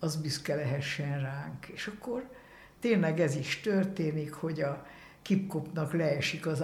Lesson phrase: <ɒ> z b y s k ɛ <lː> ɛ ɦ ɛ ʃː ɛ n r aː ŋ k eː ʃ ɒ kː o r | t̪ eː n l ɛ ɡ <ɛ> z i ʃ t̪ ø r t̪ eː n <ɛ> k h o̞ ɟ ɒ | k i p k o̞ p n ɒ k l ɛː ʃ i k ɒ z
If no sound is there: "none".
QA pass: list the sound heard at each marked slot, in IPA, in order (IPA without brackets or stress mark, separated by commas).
ɒ, l, ɛ, i